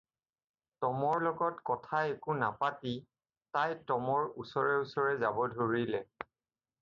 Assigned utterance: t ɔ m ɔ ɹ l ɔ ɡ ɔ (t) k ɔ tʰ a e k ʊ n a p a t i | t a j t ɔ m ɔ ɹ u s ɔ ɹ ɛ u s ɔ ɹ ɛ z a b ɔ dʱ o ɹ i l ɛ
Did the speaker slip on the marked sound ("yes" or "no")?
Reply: no